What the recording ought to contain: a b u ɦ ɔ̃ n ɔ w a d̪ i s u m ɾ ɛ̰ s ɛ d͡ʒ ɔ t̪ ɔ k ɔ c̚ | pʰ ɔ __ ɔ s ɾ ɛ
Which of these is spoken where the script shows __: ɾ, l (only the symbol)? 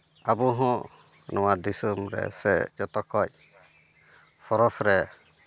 ɾ